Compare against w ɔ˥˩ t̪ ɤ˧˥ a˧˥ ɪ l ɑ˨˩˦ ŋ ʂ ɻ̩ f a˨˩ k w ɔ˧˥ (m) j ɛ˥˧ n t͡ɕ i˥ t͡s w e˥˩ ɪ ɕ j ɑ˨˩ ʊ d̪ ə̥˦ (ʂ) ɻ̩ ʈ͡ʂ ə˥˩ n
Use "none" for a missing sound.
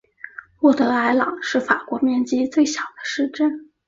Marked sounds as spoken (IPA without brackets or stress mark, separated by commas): m, ʂ